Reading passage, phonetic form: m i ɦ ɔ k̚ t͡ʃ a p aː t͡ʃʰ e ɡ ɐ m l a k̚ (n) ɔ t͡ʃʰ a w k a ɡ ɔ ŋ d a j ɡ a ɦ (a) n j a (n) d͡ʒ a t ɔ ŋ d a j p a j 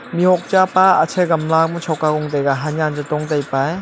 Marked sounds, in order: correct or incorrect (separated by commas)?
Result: incorrect, correct, correct